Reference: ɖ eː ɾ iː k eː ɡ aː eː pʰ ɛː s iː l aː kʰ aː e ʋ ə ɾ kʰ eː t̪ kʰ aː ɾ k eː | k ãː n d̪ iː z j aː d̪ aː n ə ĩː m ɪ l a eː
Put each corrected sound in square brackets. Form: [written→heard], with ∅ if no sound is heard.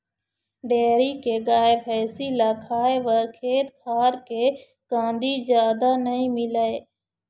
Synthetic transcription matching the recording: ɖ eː ɾ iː k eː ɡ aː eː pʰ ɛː s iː l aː kʰ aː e ʋ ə ɾ kʰ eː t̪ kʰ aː ɾ k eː | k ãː n d̪ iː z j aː d̪ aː n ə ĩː m ɪ l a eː